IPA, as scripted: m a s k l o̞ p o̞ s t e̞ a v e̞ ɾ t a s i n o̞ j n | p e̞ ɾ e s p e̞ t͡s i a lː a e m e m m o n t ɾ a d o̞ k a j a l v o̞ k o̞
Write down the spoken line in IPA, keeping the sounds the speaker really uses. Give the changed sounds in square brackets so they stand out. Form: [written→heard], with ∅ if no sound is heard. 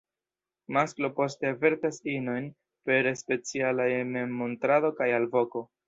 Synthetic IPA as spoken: m a s k l o̞ p o̞ s t e̞ a v e̞ ɾ t a s i n o̞ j n | p e̞ ɾ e s p e̞ t͡s i a [lː→l] a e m e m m o n t ɾ a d o̞ k a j a l v o̞ k o̞